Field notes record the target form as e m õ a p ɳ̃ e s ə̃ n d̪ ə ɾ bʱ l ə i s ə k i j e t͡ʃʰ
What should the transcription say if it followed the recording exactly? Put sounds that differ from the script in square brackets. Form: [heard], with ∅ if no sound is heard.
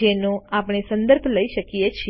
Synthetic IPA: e [n] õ a p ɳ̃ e s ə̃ n d̪ ə ɾ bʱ l ə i [ʃ] ə k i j e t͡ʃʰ